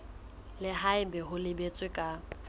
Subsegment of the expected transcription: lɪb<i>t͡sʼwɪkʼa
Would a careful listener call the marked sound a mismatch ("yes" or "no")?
yes